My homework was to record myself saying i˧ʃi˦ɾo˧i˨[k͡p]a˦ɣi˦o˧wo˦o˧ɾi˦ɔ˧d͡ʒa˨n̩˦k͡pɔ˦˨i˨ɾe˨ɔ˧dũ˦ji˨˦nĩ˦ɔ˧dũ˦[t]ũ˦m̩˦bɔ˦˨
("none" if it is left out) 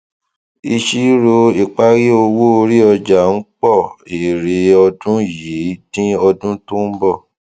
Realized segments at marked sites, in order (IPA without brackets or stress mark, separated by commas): k͡p, t